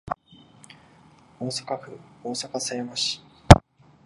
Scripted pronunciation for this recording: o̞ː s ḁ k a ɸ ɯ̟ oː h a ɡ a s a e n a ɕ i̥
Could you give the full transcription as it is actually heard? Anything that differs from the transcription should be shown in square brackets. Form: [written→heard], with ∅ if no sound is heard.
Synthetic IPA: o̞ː s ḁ k a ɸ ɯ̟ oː [h→s] a [ɡ→k] a s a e [n→m] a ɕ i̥